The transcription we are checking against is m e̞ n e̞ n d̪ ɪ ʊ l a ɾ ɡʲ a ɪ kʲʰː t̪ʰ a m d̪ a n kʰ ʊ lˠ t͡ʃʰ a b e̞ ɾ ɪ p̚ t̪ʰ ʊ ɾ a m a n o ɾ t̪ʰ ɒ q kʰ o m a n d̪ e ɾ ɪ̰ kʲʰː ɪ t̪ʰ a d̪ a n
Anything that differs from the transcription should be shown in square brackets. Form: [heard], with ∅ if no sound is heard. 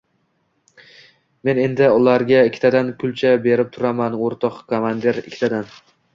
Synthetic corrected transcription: m e̞ n e̞ n d̪ ɪ ʊ l a ɾ ɡʲ a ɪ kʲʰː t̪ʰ a [∅] d̪ a n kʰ ʊ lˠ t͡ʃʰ a b e̞ ɾ ɪ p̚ t̪ʰ ʊ ɾ a m a n o ɾ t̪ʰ ɒ q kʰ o m a n d̪ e ɾ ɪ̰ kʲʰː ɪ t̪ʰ a d̪ a n